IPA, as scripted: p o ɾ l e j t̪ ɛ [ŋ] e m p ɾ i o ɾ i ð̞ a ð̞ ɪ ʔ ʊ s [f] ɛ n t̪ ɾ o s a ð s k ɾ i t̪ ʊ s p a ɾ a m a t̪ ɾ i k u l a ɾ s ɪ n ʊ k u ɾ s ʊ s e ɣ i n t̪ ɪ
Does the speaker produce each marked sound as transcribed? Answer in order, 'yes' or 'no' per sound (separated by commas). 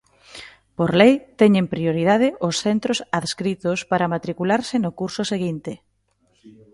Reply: no, no